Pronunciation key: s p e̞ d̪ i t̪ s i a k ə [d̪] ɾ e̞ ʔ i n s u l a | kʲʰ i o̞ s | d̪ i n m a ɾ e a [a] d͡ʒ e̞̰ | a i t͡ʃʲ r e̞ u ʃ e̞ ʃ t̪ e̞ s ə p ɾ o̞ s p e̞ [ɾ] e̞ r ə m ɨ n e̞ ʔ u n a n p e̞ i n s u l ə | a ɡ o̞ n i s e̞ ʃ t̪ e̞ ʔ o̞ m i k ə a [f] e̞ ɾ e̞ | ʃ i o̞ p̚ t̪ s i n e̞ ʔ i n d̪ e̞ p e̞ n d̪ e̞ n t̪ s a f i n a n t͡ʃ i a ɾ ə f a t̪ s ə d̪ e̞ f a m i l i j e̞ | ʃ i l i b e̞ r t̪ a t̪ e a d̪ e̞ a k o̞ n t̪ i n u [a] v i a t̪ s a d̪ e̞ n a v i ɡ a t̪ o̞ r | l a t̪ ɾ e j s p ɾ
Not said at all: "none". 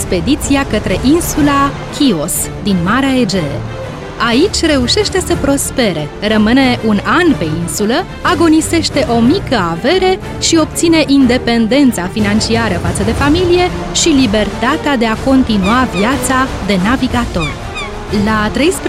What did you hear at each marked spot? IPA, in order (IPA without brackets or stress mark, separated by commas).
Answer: t̪, e, ɾ, v, a